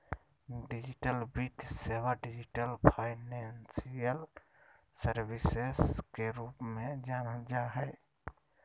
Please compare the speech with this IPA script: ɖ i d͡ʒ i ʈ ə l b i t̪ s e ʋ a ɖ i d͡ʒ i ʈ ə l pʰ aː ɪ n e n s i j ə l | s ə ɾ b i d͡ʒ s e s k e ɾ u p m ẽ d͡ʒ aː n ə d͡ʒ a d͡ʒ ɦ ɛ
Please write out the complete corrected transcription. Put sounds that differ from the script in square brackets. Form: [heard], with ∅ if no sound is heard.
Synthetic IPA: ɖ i d͡ʒ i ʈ ə l b i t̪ s e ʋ a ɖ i d͡ʒ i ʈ ə l pʰ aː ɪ n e n s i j ə l | s ə ɾ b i [∅] s e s k e ɾ u p m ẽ d͡ʒ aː n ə d͡ʒ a [∅] ɦ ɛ